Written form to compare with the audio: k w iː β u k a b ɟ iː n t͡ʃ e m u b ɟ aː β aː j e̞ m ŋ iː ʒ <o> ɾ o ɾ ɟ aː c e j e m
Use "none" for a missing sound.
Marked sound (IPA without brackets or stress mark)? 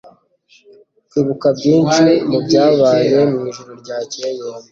u